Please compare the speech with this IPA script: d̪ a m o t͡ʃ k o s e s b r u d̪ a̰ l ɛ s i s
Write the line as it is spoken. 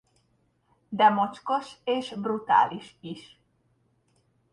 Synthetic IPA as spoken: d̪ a m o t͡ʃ k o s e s b ɾ u t̪ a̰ l i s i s

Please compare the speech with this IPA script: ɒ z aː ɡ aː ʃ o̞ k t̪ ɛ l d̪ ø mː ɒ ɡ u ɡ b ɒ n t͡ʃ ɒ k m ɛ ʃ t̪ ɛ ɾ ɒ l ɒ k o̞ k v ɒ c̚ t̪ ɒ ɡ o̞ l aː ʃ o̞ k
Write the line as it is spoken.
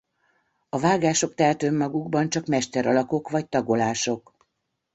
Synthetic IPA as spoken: ɒ v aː ɡ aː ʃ o̞ k t̪ ɛ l t̪ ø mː ɒ ɡ u ɡ b ɒ n t͡ʃ ɒ k m ɛ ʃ t̪ ɛ ɾ ɒ l ɒ k o̞ k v ɒ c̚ t̪ ɒ ɡ o̞ l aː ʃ o̞ k

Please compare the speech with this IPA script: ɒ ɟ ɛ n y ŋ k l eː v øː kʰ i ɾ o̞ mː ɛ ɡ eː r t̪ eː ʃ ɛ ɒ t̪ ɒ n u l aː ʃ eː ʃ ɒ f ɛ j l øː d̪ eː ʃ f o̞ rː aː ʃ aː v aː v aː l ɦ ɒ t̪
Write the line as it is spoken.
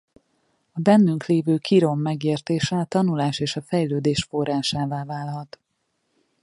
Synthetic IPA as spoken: ɒ b ɛ nː y ŋ k l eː v øː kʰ i ɾ o̞ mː ɛ ɡ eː r t̪ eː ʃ ɛ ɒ t̪ ɒ n u l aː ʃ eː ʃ ɒ f ɛ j l øː d̪ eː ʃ f o̞ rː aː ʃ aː v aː v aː l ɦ ɒ t̪

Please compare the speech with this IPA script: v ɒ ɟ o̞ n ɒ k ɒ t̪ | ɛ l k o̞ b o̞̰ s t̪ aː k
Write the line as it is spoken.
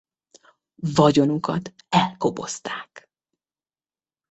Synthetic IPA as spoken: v ɒ ɟ o̞ n u k ɒ t̪ | ɛ l k o̞ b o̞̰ s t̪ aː k

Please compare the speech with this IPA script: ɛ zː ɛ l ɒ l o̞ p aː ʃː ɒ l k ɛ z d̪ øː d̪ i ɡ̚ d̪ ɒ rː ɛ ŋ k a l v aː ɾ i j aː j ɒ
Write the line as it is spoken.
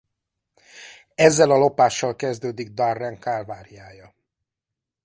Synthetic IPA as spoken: ɛ zː ɛ l ɒ l o̞ p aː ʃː ɒ l k ɛ z d̪ øː d̪ i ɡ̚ d̪ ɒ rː ɛ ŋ k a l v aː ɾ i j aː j ɒ

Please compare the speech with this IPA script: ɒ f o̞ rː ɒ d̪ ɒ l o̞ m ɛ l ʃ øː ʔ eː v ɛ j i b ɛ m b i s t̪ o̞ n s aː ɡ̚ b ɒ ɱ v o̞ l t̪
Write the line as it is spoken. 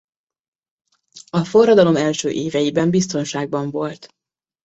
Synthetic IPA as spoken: ɒ f o̞ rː ɒ d̪ ɒ l o̞ m ɛ l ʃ øː ʔ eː v ɛ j i b ɛ m b i s t̪ o̞ n ʃ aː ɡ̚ b ɒ ɱ v o̞ l t̪

